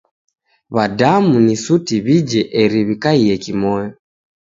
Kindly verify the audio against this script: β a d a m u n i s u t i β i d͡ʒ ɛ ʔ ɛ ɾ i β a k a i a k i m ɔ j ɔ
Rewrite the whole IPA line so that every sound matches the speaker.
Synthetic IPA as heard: β a d a m u n i s u t i β i d͡ʒ ɛ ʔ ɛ ɾ i β i k a i ɛ k i m ɔ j ɔ